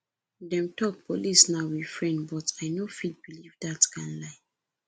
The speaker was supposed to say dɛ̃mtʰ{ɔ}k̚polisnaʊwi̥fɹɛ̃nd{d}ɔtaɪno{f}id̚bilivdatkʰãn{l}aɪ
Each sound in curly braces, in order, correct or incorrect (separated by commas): correct, incorrect, correct, correct